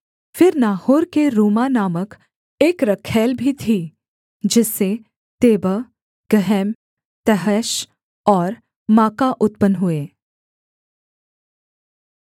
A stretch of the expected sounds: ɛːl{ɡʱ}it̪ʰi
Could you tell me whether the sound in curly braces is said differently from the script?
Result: yes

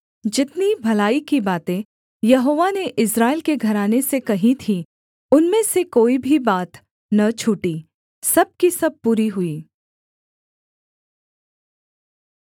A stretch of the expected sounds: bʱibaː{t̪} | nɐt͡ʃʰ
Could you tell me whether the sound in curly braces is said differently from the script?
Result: no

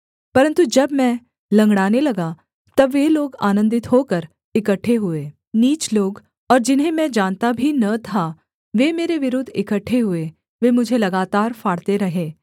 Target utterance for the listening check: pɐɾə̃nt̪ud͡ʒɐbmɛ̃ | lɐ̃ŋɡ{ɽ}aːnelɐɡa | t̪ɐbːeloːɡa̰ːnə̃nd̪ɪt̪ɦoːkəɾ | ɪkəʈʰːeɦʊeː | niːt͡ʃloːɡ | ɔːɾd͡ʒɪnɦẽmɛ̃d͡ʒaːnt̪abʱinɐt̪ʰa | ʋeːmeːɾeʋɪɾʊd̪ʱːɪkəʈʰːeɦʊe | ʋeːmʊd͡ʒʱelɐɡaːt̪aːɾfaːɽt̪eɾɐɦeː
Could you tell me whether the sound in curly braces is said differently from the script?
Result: no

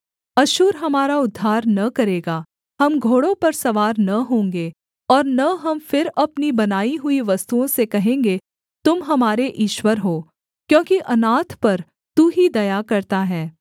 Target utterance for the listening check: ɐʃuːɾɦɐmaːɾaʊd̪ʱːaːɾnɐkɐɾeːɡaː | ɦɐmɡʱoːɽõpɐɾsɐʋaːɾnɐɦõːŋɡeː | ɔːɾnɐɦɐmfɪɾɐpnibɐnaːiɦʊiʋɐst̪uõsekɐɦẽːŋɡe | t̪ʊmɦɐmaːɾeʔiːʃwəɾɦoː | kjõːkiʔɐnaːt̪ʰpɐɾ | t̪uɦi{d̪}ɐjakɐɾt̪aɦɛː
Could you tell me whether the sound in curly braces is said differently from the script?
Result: no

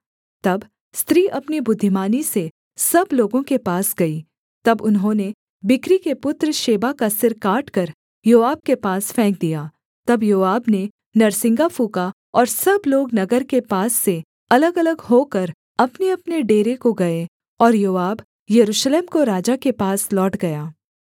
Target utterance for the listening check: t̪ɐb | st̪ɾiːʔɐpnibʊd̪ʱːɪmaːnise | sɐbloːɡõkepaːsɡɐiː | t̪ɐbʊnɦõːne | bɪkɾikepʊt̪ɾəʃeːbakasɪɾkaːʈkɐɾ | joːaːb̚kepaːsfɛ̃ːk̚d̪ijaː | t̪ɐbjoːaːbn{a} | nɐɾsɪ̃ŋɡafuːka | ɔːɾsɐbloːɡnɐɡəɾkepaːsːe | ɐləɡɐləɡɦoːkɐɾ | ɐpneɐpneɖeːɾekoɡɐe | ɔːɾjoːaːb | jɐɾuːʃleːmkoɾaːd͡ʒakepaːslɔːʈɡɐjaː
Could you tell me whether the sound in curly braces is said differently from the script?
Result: yes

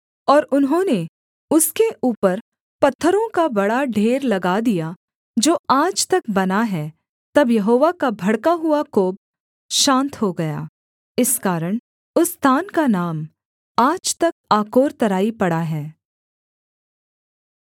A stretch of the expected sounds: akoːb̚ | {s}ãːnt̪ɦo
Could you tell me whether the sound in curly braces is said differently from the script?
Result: yes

